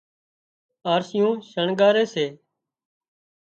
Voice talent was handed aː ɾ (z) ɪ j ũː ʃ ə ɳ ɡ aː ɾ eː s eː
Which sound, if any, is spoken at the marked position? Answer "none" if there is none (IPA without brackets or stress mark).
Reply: s